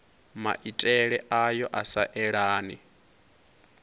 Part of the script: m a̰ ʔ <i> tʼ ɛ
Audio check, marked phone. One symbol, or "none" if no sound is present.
i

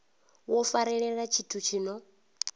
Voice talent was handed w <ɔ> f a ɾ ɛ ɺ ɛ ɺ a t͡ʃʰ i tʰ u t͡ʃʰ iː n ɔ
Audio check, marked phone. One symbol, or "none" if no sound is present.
ɔ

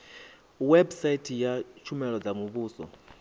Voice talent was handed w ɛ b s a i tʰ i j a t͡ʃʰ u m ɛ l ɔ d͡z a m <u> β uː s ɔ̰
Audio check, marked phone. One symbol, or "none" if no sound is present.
u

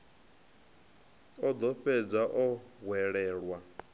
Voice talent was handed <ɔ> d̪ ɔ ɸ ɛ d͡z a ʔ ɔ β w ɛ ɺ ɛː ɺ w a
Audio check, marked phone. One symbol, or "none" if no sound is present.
ɔ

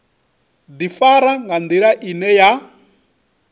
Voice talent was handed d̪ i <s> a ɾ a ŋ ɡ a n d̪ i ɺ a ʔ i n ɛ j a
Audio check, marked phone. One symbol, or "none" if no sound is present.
f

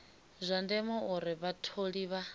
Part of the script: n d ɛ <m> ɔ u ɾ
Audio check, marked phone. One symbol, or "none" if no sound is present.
m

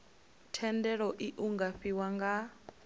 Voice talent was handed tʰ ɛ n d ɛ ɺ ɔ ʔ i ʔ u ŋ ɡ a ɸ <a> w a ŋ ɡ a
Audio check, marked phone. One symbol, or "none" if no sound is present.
i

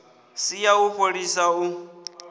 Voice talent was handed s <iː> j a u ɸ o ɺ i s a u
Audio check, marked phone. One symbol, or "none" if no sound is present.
i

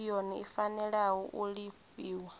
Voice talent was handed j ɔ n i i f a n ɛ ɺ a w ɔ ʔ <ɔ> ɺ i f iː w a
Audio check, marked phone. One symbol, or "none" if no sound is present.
u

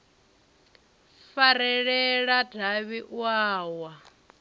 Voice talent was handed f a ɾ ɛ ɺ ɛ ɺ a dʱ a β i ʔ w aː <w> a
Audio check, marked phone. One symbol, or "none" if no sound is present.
w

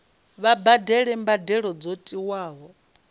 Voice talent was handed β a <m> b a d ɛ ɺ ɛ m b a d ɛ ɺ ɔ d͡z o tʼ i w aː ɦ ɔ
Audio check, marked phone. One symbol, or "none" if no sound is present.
none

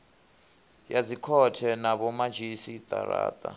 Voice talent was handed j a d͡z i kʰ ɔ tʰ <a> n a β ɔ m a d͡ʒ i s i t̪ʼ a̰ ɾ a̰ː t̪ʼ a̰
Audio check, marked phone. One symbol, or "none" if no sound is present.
ɛ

